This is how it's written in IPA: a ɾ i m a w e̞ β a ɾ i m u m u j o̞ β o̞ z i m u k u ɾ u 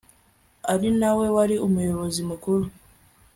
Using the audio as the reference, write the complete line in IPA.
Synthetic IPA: a ɾ i n a w e̞ w a ɾ i u m u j o̞ β o̞ z i m u k u ɾ u